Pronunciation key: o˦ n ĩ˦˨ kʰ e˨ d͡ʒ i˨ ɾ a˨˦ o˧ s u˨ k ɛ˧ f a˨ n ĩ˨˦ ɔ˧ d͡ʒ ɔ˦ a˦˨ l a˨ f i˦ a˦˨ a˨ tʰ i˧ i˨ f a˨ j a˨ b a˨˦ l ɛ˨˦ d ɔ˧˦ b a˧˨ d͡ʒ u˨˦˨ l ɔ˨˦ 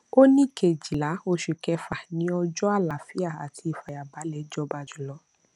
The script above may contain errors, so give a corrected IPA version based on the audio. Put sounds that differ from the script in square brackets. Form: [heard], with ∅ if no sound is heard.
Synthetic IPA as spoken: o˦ n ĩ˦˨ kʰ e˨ d͡ʒ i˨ [l] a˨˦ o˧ [ʃ] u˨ k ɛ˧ f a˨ n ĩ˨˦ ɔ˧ d͡ʒ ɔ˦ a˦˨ l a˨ f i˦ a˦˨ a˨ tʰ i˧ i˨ f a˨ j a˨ b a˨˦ l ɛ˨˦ [d͡ʒ] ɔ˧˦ b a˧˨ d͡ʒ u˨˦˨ l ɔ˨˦